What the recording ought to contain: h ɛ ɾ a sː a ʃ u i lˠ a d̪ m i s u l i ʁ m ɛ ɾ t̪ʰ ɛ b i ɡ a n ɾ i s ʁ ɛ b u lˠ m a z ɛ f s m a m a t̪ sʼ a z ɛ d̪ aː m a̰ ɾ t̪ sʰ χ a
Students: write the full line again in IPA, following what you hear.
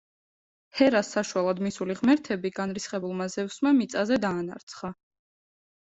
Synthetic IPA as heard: h ɛ ɾ a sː a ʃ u a lˠ a d̪ m i s u l i ʁ m ɛ ɾ t̪ʰ ɛ b i ɡ a n ɾ i s χ ɛ b u lˠ m a z ɛ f s m a m i t̪ sʼ a z ɛ d̪ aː n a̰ ɾ t̪ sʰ χ a